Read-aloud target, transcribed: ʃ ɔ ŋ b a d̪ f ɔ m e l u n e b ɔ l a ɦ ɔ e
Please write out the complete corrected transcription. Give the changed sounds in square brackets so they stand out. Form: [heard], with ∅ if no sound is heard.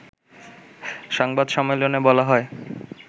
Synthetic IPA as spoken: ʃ ɔ ŋ b a d̪ [ʃ] ɔ m e l [o] n e b ɔ l a ɦ ɔ e